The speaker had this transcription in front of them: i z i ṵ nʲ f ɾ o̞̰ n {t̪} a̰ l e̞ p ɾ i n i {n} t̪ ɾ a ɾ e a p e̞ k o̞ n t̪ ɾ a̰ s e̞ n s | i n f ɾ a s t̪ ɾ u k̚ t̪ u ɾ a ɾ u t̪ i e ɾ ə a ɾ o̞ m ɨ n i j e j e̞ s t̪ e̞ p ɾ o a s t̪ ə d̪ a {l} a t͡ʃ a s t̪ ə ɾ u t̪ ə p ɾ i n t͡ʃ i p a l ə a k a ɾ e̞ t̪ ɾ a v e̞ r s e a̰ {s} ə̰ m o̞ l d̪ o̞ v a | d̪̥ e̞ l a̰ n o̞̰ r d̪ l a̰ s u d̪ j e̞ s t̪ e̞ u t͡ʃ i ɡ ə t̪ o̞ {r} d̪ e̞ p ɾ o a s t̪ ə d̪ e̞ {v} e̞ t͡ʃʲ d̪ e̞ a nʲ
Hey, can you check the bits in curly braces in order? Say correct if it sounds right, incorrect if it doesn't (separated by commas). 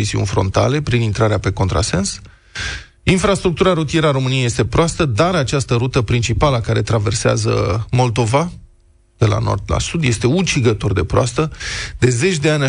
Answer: correct, correct, incorrect, incorrect, correct, incorrect